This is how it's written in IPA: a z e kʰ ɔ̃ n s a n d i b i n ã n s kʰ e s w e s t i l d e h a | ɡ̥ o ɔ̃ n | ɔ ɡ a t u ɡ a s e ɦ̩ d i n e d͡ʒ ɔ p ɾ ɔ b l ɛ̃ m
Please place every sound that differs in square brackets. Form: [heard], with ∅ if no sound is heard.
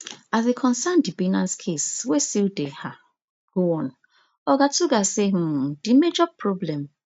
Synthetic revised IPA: a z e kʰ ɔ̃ n s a n d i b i n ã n s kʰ e s w e s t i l d e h a | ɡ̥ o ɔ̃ n | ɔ ɡ a t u ɡ a s e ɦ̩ d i [m] e d͡ʒ ɔ p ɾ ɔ b l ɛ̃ m